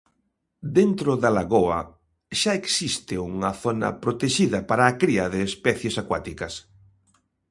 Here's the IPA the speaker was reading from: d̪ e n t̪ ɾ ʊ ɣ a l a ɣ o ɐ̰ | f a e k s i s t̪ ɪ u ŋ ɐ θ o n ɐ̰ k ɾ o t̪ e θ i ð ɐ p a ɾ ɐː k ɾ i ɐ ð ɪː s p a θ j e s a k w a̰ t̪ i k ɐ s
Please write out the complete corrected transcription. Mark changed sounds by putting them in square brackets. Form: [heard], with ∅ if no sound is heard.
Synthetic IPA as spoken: d̪ e n t̪ ɾ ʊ [ð] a l a ɣ o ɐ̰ | [ʃ] a e k s i s t̪ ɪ u ŋ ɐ θ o n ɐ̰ [p] ɾ o t̪ e [ʃ] i ð ɐ p a ɾ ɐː k ɾ i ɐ ð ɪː s p [ɛ] θ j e s a k w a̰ t̪ i k ɐ s